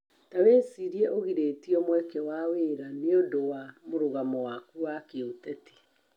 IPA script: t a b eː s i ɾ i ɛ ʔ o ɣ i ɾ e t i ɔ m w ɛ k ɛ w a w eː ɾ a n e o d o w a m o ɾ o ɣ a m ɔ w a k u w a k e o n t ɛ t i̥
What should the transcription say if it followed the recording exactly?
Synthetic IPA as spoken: t a w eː s i ɾ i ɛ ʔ o ɣ i ɾ e t i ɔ m w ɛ k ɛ w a w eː ɾ a n e o d o w a m o ɾ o ɣ a m ɔ w a k u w a k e o t ɛ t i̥